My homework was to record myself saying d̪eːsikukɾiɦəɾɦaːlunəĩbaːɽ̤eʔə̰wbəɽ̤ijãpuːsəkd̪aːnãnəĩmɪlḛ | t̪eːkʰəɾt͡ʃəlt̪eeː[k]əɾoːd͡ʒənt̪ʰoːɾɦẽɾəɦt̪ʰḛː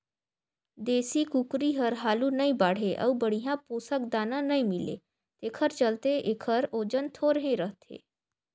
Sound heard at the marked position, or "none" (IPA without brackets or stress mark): kʰ